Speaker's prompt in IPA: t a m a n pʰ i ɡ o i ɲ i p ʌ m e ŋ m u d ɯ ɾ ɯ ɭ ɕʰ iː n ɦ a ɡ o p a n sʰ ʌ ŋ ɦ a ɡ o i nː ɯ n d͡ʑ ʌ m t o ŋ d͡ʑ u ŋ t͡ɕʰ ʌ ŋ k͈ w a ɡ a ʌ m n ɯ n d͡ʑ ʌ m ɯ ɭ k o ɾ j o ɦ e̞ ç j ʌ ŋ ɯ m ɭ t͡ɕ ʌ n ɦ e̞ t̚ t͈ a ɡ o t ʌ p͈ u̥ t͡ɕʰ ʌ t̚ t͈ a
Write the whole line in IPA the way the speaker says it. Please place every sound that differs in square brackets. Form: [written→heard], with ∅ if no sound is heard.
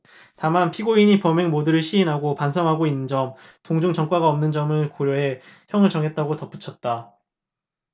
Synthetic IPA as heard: t a m a n pʰ i ɡ o i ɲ i p ʌ m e ŋ m [u→o] d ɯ ɾ ɯ ɭ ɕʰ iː n ɦ a ɡ o p a n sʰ ʌ ŋ ɦ a ɡ o i nː ɯ n d͡ʑ ʌ m t o ŋ d͡ʑ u ŋ [t͡ɕʰ→t͡ɕ] ʌ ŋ k͈ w a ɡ a ʌ m n ɯ n d͡ʑ ʌ m ɯ ɭ k o ɾ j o ɦ e̞ ç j ʌ ŋ ɯ [m→∅] ɭ t͡ɕ ʌ [n→ŋ] ɦ e̞ t̚ t͈ a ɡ o t ʌ p͈ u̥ t͡ɕʰ ʌ t̚ t͈ a

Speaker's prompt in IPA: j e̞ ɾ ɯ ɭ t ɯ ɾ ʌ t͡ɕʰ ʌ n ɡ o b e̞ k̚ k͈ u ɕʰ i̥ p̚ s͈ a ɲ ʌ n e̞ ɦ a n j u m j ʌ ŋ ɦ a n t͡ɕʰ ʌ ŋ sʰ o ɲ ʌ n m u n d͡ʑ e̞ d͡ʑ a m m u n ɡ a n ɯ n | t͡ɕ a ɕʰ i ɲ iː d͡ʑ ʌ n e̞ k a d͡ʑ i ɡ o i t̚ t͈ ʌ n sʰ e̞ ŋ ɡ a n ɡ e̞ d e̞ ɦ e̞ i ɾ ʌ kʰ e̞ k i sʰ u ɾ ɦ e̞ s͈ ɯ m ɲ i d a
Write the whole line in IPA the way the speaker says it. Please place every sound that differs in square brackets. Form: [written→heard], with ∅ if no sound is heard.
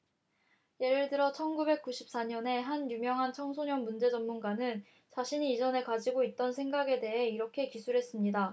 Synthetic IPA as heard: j e̞ ɾ ɯ ɭ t ɯ ɾ ʌ t͡ɕʰ ʌ n ɡ [o→u] b e̞ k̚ k͈ u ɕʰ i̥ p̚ s͈ a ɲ ʌ n e̞ ɦ a n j u m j ʌ ŋ ɦ a n t͡ɕʰ ʌ ŋ sʰ o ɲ ʌ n m u n d͡ʑ e̞ d͡ʑ [a→ʌ] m m u n ɡ a n ɯ n | t͡ɕ a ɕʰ i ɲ iː d͡ʑ ʌ n e̞ k a d͡ʑ i ɡ o i t̚ t͈ ʌ n sʰ e̞ ŋ ɡ a [n→∅] ɡ e̞ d e̞ ɦ e̞ i ɾ ʌ kʰ e̞ k i sʰ u ɾ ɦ e̞ s͈ ɯ m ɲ i d a

